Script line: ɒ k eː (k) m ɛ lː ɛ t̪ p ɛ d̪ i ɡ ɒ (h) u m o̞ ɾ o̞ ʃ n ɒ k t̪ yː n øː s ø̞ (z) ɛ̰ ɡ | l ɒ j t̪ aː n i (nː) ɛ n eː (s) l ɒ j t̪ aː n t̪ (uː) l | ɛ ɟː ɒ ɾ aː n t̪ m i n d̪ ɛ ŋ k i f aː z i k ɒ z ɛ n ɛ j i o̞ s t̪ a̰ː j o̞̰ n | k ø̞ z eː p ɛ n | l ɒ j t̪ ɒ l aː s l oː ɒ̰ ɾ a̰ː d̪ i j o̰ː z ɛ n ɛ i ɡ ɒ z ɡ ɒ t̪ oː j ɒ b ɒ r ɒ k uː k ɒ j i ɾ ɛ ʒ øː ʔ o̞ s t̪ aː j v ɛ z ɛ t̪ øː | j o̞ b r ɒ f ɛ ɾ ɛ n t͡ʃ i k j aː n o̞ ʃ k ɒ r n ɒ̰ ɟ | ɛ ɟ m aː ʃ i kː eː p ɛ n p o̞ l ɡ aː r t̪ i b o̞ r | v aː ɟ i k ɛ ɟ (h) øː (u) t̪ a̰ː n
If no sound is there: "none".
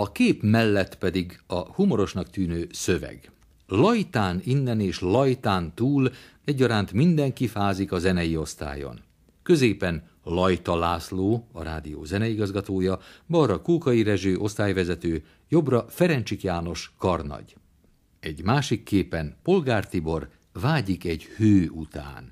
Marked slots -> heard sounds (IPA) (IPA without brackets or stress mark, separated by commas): p, h, v, nː, ʃ, uː, h, u